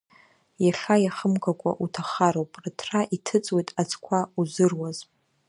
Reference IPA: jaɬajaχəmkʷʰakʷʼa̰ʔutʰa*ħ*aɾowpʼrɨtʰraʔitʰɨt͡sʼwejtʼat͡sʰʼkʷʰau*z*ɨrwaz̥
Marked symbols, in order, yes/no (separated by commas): no, yes